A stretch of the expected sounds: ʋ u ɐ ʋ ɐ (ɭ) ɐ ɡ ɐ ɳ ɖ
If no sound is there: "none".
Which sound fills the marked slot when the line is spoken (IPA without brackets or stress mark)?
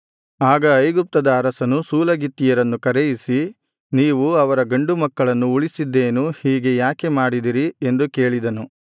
ɾ